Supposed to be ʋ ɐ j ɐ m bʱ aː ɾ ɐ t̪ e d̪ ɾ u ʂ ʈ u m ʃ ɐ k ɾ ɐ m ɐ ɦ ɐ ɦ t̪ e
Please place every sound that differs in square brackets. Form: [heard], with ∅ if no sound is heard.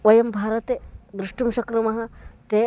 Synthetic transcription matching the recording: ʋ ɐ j ɐ m bʱ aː ɾ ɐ t̪ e d̪ ɾ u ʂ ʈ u m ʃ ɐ k ɾ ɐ m ɐ ɦ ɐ [∅] t̪ e